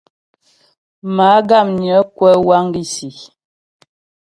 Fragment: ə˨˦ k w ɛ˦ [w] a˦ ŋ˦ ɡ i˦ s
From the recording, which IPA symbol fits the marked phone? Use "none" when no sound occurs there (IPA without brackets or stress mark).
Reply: w